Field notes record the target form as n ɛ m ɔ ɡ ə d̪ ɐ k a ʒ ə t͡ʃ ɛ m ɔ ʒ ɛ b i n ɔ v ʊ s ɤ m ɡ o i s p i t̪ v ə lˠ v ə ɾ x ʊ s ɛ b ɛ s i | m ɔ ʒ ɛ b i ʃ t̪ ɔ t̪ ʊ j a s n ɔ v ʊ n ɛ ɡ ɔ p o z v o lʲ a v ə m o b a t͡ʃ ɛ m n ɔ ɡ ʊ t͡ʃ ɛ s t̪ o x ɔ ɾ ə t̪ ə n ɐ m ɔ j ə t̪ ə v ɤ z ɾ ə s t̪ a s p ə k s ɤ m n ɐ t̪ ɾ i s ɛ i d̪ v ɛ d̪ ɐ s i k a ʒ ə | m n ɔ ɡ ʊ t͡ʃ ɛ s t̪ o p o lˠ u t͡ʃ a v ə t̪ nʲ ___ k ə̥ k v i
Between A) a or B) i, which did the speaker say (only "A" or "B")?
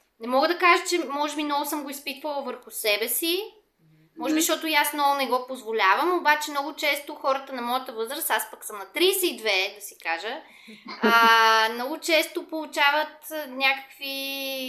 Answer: A